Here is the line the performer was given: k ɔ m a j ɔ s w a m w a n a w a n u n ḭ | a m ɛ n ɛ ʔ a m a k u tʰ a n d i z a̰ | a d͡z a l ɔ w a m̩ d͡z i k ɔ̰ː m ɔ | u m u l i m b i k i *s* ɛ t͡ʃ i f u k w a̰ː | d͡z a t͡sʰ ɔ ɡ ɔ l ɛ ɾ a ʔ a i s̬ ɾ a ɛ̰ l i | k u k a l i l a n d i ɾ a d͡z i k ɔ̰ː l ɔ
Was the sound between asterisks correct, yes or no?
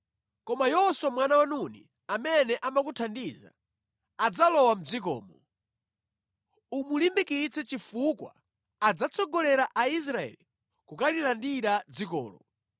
no